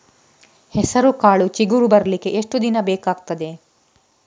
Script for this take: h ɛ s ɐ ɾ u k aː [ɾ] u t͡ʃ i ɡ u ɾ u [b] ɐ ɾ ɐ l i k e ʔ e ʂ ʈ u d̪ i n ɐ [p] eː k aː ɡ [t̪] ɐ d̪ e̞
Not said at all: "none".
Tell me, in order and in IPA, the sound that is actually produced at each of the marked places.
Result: ɭ, b, b, t̪

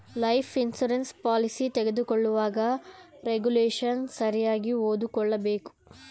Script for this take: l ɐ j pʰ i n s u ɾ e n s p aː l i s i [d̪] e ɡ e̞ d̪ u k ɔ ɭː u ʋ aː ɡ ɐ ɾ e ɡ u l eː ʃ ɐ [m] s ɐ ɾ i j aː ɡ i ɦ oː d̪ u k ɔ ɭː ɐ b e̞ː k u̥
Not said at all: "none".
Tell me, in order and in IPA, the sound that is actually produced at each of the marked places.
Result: t̪, n

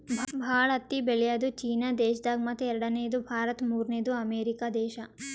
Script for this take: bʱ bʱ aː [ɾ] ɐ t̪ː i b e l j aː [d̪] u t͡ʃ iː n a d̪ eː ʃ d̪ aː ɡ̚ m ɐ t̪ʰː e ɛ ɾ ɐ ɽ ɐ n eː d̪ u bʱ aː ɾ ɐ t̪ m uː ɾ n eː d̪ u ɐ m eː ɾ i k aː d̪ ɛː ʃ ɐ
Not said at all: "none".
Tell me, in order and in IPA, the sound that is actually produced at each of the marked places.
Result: ɭ, d̪

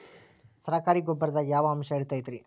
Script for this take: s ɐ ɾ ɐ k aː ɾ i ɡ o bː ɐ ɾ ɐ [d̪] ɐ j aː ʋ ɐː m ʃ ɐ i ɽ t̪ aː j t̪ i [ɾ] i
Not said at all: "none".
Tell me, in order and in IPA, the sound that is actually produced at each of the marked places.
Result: d̪, ɾ

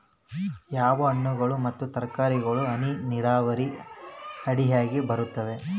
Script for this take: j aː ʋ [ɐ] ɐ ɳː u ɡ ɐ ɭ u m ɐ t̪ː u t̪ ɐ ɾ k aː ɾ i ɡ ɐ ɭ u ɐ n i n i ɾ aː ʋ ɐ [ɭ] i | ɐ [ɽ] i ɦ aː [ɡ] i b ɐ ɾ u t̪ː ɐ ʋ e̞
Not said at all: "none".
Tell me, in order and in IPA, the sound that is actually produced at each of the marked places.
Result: ɐ, ɾ, ɽ, ɡ

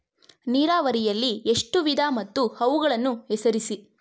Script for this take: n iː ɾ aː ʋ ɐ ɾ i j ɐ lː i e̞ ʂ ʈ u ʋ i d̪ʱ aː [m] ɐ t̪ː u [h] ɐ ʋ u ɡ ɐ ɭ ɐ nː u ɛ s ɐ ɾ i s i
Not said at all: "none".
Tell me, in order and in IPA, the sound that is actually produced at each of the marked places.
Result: m, h

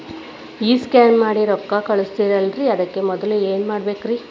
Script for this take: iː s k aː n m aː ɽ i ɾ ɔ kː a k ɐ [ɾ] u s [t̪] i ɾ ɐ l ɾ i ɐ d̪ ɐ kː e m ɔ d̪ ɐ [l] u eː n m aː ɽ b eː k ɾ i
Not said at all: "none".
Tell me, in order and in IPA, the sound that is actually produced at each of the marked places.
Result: ɭ, t̪, l

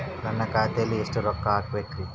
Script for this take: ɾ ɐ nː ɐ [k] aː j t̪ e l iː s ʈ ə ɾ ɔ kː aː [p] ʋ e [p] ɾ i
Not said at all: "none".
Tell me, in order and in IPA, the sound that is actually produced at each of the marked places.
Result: k, k, k

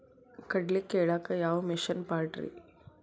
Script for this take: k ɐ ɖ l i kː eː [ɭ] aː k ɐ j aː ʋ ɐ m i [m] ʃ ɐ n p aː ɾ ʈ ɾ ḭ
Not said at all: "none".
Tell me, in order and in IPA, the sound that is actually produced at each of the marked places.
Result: ɭ, none

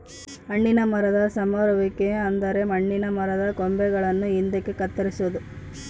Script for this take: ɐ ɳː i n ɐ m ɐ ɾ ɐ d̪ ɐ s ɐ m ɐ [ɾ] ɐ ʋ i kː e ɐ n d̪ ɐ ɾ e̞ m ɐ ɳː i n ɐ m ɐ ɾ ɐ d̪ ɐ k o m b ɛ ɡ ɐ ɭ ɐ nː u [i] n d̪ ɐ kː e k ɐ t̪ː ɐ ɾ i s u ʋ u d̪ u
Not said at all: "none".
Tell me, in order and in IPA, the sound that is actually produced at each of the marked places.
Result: ɾ, i

